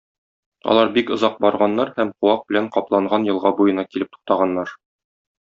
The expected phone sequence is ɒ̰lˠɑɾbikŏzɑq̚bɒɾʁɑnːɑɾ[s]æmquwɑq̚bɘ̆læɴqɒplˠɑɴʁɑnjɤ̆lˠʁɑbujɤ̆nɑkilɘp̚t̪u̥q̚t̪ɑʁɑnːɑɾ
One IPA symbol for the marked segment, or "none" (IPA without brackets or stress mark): h